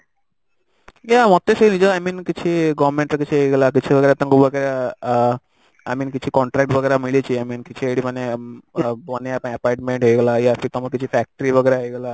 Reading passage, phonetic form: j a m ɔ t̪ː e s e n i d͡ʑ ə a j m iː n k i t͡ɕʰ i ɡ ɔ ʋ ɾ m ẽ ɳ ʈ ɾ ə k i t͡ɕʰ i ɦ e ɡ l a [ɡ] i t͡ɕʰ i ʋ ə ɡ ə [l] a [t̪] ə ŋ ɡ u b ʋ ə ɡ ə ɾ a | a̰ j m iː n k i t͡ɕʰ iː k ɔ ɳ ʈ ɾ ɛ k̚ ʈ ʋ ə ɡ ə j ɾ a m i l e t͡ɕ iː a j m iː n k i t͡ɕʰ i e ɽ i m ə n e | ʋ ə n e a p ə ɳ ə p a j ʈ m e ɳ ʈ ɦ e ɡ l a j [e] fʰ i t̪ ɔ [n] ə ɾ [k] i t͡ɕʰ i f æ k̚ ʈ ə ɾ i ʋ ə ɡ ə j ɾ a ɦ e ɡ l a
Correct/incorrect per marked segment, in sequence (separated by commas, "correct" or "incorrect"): incorrect, incorrect, correct, incorrect, incorrect, correct